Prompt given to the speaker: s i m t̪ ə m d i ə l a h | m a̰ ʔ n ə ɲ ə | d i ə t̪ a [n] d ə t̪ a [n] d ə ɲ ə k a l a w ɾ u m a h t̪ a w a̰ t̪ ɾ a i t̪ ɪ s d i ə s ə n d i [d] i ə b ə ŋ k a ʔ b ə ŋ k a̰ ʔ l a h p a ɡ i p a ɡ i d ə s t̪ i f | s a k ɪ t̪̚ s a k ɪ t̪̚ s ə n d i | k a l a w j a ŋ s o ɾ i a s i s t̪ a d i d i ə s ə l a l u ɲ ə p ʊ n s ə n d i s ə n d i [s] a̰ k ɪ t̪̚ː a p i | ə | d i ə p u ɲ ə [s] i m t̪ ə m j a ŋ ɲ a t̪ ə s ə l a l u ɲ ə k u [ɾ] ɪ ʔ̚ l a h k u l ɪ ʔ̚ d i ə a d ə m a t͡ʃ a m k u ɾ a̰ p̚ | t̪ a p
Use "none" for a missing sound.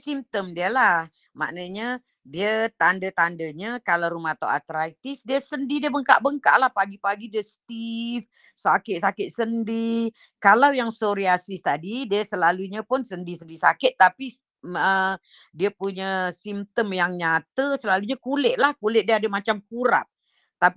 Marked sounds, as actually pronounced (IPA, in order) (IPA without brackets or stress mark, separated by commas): n, n, d, s, s, l